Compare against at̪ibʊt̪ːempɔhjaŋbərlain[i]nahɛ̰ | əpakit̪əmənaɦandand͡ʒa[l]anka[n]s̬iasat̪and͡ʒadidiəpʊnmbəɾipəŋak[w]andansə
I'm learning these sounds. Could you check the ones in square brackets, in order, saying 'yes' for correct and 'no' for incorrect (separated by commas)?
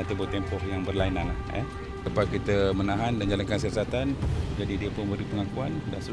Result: no, yes, yes, no